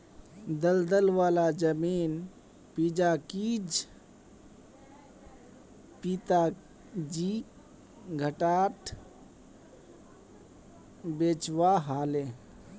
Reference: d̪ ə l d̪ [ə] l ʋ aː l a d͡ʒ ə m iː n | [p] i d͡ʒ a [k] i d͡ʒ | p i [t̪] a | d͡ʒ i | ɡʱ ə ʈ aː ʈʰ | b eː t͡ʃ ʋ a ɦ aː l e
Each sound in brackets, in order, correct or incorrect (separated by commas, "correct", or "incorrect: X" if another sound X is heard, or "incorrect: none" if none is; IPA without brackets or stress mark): correct, correct, correct, correct